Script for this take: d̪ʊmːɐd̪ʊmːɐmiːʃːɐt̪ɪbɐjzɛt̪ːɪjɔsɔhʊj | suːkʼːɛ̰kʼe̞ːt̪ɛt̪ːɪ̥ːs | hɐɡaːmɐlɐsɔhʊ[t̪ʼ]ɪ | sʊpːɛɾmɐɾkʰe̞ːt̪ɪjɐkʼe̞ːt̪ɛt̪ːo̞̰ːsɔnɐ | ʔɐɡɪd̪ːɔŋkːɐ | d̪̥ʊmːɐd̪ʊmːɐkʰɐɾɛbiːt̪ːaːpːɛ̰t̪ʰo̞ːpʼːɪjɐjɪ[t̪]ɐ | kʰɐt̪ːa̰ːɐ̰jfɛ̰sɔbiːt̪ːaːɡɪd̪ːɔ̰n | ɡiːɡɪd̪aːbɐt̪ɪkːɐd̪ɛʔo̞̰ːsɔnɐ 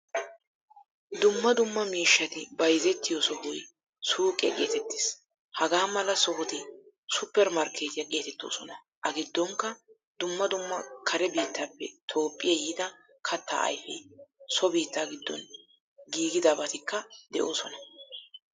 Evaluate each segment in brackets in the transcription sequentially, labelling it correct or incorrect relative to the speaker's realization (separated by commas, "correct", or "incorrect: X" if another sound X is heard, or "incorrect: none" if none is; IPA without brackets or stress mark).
incorrect: t̪, incorrect: d̪